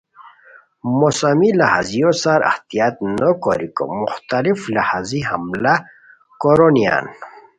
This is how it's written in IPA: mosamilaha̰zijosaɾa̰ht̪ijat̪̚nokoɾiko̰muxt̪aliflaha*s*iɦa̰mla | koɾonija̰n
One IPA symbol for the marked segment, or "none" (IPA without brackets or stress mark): z